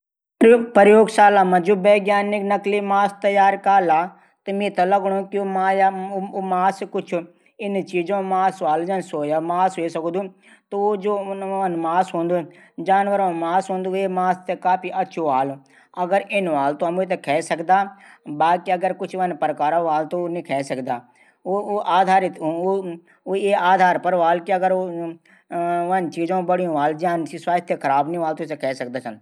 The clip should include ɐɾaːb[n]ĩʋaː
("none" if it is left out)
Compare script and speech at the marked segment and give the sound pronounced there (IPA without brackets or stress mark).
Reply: n